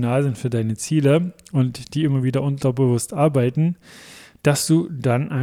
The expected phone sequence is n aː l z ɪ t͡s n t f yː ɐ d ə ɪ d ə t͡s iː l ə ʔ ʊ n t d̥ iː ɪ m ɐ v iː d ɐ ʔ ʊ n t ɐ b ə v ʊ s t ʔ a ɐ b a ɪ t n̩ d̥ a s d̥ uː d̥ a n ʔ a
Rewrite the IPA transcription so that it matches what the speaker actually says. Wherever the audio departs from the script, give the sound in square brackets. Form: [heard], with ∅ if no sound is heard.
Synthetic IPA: n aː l z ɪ [∅] n t f yː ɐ d [a] ɪ [n] ə t͡s iː l ə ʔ ʊ n t d̥ iː ɪ m ɐ v iː d ɐ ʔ ʊ n t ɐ b ə v ʊ s t ʔ a ɐ b a ɪ t n̩ d̥ a s d̥ uː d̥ a n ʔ a